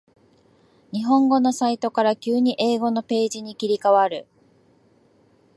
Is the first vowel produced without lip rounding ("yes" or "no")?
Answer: yes